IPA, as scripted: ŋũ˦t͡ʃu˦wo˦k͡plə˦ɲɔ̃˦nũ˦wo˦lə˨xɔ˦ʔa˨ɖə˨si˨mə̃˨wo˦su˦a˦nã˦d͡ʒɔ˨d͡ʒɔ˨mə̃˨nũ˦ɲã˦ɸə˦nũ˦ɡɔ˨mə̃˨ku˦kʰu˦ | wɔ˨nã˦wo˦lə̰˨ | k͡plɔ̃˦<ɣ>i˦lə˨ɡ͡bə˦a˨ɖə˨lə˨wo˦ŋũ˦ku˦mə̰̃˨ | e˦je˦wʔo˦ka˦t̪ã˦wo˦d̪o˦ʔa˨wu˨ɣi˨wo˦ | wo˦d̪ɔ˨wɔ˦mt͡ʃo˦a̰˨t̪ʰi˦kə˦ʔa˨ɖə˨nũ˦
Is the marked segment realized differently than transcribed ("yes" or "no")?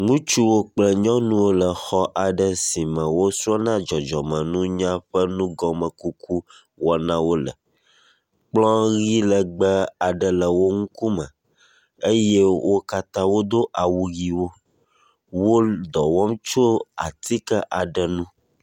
no